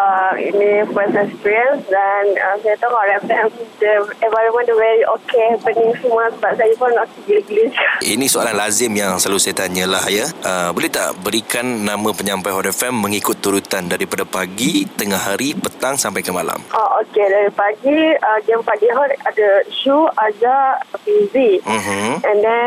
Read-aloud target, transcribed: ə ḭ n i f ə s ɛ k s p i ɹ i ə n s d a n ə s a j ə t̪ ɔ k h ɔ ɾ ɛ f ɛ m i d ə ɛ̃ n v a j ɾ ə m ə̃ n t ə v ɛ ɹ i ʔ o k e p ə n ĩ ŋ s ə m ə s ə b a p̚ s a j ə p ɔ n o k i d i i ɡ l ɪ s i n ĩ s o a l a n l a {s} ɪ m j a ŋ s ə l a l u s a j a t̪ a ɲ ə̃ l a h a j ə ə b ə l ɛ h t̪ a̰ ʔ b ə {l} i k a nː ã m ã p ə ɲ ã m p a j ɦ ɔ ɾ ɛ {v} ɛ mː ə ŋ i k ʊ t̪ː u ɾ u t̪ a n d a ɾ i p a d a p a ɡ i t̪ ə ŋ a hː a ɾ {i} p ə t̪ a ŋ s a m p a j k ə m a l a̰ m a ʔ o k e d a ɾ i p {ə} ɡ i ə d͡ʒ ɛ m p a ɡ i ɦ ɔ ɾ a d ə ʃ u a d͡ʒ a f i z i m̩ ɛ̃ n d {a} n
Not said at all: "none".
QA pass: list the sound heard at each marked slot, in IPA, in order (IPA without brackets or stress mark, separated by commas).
z, ɾ, f, i, a, ɛ